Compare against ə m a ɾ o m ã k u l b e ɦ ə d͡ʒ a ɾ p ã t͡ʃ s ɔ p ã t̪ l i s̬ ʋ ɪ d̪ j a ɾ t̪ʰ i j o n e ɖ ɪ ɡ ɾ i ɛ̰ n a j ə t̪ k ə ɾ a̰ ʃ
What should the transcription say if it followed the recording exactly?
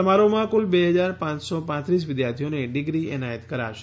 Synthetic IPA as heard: ə m a ɾ o m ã k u l b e ɦ ə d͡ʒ a ɾ p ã t͡ʃ s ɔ p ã t̪ ɾ i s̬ ʋ ɪ d̪ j a ɾ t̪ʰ i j o n e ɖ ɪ ɡ ɾ i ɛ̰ n a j ə t̪ k ə ɾ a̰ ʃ